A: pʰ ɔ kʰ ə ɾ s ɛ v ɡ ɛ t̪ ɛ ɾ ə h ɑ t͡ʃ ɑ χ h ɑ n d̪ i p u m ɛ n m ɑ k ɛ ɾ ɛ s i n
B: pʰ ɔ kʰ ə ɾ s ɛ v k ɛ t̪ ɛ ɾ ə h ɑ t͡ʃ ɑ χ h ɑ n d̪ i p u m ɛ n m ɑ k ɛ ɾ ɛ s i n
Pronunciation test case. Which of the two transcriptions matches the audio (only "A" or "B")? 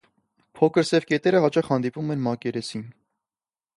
B